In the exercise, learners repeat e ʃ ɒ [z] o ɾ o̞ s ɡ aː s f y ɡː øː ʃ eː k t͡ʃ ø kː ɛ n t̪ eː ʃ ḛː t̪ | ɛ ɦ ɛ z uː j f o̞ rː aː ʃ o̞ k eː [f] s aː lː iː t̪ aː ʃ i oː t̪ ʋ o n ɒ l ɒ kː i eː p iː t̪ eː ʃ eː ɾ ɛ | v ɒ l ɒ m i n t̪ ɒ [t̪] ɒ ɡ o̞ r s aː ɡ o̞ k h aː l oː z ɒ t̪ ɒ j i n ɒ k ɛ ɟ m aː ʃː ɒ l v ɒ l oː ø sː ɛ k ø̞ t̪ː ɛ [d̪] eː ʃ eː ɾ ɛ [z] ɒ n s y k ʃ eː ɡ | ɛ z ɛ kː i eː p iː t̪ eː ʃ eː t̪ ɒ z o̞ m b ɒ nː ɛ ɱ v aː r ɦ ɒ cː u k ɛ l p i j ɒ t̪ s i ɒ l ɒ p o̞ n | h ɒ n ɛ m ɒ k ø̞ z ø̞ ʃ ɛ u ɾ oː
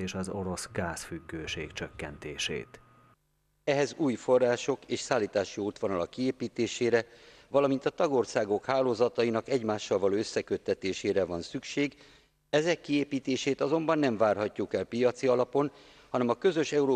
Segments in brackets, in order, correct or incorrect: correct, incorrect, correct, incorrect, incorrect

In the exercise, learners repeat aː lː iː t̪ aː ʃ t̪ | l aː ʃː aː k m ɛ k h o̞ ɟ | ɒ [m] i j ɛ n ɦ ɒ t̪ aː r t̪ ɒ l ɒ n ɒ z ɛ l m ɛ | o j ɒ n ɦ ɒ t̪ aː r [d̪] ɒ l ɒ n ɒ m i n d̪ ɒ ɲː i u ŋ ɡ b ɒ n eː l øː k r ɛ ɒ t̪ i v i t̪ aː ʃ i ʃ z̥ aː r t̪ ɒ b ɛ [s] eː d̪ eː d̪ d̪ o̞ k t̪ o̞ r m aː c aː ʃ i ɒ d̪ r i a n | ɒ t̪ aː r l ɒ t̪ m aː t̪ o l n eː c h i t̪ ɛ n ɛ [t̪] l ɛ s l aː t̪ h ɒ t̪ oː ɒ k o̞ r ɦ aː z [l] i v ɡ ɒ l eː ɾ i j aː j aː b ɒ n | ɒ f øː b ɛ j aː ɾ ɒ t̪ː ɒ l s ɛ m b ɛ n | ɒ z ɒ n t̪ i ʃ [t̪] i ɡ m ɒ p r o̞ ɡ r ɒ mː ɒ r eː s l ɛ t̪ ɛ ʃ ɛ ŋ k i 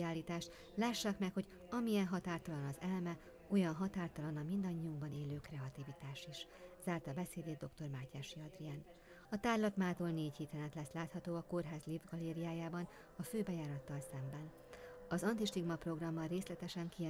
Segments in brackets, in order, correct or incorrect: correct, incorrect, correct, correct, correct, correct

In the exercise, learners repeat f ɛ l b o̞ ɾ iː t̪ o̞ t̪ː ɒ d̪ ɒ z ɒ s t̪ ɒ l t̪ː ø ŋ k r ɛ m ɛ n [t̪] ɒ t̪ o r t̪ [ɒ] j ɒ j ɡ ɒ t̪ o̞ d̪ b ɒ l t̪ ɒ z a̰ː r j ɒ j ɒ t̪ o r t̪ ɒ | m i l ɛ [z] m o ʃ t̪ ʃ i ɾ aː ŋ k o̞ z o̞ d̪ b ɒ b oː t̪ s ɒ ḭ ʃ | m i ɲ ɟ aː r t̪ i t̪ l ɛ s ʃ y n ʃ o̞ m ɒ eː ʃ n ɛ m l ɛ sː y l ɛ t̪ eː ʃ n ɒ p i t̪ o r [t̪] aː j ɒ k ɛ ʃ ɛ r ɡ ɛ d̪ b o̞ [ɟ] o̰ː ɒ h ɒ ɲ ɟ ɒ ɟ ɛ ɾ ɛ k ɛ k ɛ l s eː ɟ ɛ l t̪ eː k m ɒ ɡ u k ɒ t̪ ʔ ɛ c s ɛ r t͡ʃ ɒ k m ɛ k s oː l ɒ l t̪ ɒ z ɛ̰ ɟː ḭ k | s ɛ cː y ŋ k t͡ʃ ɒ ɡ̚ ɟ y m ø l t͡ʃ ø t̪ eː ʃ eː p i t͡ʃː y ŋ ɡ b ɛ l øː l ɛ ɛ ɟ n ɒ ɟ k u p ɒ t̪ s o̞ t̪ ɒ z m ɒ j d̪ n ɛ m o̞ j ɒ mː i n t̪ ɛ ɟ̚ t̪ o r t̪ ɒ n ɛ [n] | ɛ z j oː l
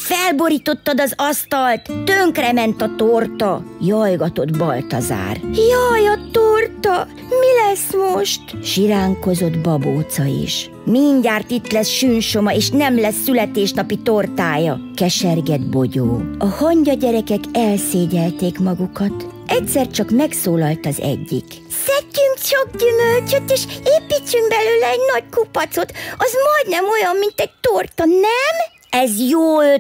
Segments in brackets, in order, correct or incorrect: correct, correct, incorrect, correct, correct, incorrect

